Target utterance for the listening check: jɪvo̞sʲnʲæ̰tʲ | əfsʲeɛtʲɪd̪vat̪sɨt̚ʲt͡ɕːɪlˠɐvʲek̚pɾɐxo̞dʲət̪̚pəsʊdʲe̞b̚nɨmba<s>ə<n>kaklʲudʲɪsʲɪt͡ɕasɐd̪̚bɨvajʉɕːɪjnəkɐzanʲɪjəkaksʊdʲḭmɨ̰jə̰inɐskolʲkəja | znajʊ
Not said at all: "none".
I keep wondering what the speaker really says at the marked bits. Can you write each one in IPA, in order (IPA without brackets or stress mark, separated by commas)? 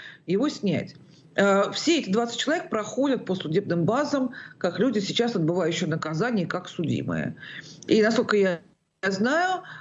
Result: z, m